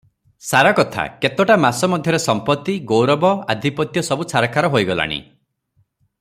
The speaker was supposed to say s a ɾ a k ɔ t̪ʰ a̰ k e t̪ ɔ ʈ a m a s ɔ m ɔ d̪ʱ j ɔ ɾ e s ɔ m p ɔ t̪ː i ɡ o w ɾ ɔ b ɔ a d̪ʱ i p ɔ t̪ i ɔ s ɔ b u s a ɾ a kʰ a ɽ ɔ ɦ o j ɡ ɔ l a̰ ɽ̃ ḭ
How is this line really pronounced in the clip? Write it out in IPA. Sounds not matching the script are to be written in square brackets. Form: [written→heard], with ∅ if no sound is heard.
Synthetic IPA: s a ɾ a k ɔ t̪ʰ a̰ k e t̪ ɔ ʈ a m a s ɔ m ɔ d̪ʱ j ɔ ɾ e s ɔ m p ɔ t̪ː i ɡ o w ɾ ɔ b ɔ a d̪ʱ i p ɔ t̪ [i→j] ɔ s ɔ b u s a ɾ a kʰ a [ɽ→ɾ] ɔ ɦ o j ɡ ɔ l a̰ ɽ̃ ḭ